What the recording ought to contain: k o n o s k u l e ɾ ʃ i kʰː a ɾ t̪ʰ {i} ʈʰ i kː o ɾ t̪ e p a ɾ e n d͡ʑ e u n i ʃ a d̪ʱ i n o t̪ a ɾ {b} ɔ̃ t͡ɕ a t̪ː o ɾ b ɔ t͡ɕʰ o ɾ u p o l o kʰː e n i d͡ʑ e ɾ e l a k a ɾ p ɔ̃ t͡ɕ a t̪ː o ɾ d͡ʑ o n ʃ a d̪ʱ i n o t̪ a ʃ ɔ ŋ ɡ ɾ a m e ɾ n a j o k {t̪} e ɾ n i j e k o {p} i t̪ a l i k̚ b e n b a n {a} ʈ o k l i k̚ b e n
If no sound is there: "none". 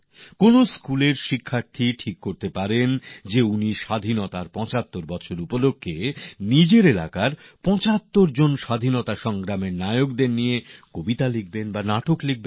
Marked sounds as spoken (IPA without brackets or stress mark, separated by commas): i, p, d̪, b, a